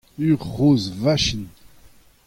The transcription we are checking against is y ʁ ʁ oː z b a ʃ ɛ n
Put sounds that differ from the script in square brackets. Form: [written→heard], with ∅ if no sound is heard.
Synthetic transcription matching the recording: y ʁ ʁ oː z [b→v] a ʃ [ɛ→i] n